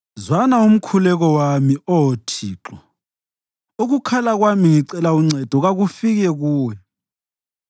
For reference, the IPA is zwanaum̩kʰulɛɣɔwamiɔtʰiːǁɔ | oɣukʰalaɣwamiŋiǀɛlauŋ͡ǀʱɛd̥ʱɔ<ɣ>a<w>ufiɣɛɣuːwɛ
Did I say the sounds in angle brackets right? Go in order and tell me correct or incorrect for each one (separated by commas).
correct, incorrect